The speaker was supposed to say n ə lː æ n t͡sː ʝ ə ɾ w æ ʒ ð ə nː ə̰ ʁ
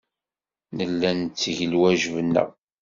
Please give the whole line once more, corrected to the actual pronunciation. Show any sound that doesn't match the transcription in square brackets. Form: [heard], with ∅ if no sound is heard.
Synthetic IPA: n ə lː æ n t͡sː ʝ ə [l] w æ ʒ [v] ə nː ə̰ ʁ